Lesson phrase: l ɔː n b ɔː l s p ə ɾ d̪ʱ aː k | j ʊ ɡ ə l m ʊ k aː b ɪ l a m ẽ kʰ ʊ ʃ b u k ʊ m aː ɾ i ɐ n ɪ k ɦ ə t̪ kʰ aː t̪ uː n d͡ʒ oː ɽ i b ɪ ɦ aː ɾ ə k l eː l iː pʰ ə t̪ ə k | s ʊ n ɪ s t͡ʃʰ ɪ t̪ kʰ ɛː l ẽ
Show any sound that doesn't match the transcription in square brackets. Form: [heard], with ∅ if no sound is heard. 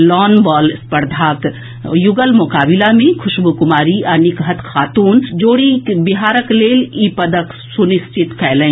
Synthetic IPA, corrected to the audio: l ɔː n b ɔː l s p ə ɾ d̪ʱ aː k | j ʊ ɡ ə l m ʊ k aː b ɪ l a m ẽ kʰ ʊ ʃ b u k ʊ m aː ɾ i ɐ n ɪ k ɦ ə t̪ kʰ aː t̪ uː n d͡ʒ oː ɽ i b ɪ ɦ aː ɾ ə k l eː l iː [p] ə [d̪] ə k | s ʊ n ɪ s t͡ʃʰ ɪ t̪ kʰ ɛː l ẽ